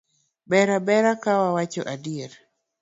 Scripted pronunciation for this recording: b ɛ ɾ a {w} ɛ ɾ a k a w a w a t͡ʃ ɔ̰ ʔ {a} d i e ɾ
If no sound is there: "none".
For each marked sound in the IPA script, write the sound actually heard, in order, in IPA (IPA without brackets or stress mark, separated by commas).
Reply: b, a